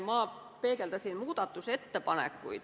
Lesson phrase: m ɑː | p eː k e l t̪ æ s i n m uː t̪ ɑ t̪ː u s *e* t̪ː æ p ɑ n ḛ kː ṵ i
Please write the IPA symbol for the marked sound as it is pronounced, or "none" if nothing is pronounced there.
e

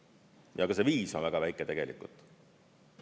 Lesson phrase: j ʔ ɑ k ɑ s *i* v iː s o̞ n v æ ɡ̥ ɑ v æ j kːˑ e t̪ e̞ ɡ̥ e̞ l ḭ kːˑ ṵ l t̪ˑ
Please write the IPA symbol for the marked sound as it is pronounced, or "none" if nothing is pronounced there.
e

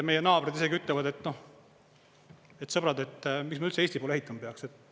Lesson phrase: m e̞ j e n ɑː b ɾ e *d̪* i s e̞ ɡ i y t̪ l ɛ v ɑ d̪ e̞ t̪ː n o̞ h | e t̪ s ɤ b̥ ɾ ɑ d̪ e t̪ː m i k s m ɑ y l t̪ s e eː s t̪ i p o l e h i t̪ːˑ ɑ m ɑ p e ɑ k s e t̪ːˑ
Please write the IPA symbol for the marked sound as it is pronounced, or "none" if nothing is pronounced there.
d̪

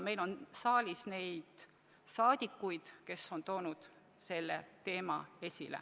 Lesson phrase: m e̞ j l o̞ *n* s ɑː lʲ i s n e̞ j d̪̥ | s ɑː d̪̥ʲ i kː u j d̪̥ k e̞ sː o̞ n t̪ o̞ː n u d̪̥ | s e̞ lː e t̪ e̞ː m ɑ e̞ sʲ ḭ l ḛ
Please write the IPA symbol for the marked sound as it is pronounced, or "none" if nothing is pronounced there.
n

